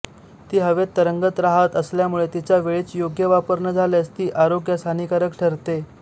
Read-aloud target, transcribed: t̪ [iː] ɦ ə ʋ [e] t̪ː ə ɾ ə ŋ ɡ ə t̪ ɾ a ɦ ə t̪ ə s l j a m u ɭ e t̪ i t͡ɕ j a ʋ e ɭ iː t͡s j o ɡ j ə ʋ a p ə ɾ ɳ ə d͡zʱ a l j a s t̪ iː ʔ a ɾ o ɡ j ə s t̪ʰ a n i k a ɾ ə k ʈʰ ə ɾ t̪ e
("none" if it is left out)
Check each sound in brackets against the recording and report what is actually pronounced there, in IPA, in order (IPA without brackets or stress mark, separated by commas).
iː, e